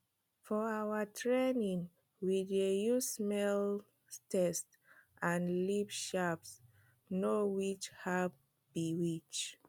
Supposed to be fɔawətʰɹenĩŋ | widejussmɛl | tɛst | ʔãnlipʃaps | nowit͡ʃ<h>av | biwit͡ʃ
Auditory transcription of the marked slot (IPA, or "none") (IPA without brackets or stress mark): h